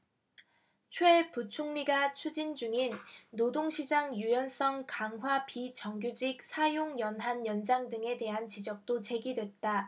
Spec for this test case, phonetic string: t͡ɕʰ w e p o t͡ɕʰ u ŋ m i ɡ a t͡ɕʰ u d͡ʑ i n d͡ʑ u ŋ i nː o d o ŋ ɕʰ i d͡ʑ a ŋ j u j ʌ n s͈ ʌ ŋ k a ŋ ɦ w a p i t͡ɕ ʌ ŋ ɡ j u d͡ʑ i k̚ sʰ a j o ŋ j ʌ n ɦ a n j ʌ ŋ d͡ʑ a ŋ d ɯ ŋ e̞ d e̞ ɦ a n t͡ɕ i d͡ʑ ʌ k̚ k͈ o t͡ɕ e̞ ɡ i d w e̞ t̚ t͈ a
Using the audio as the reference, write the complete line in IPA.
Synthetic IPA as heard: t͡ɕʰ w e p u t͡ɕʰ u ŋ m i ɡ a t͡ɕʰ u d͡ʑ i n d͡ʑ u ŋ i nː o d o ŋ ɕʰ i d͡ʑ a ŋ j u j ʌ n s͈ ʌ ŋ k a ŋ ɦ w a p i t͡ɕ ʌ ŋ ɡ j u d͡ʑ i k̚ sʰ a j o ŋ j ʌ n ɦ a n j ʌ n d͡ʑ a ŋ d ɯ ŋ e̞ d e̞ ɦ a n t͡ɕ i d͡ʑ ʌ k̚ t͈ o t͡ɕ e̞ ɡ i d w e̞ t̚ t͈ a